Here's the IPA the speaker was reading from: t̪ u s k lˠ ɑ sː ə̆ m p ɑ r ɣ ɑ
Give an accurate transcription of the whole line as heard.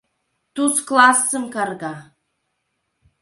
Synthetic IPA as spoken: t̪ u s k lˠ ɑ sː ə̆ m k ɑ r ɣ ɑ